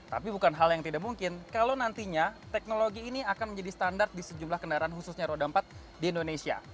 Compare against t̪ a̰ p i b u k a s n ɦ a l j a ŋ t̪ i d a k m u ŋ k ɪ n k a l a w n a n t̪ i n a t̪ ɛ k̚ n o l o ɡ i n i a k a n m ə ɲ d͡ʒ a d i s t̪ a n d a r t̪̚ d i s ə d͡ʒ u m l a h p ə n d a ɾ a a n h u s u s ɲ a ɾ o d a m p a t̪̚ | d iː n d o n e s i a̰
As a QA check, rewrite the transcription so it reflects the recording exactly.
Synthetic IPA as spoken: t̪ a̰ p i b u k a n ɦ a l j a ŋ t̪ i d a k m u ŋ k ɪ n k a l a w n a n t̪ i ɲ a t̪ ɛ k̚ n o l o ɡ iː n i a k a n m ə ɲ d͡ʒ a d i s t̪ a n d a r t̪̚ d i s ə d͡ʒ u m l a h k ə n d a ɾ a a n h u s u s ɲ a ɾ o d a m p a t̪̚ | d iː n d o n e s i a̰